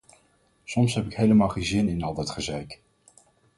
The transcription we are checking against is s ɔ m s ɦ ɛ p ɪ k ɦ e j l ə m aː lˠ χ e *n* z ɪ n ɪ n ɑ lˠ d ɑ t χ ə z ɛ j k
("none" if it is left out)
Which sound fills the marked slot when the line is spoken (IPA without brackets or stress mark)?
n